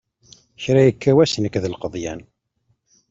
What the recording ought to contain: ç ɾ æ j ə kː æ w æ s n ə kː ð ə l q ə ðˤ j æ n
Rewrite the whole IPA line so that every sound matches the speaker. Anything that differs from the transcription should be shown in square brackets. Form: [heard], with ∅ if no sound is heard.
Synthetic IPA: ç ɾ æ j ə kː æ w æ s n ə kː ð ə l q ə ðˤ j æ n